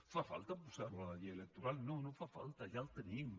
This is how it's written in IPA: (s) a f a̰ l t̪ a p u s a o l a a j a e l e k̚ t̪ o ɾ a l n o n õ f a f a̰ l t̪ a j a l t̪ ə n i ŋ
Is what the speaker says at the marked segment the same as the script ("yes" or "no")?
no